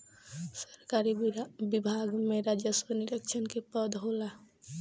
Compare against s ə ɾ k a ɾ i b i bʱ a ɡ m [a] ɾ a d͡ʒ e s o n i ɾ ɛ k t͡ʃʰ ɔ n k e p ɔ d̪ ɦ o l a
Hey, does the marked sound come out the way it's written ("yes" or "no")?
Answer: no